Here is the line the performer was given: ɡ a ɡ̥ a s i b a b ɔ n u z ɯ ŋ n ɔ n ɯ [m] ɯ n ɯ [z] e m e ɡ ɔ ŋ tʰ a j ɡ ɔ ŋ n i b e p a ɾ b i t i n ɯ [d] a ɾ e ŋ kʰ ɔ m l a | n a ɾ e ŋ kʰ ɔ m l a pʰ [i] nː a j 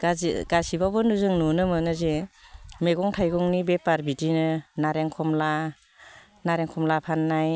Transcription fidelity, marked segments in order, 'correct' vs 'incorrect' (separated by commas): correct, correct, incorrect, incorrect